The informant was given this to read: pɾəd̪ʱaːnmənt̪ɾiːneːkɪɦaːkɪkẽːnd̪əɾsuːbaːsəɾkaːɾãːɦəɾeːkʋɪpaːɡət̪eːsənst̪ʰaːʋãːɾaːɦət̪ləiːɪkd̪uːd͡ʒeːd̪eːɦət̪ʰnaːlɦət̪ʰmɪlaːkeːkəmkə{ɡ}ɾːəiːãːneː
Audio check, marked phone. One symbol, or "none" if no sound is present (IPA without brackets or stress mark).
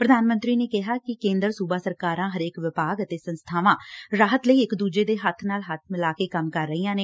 none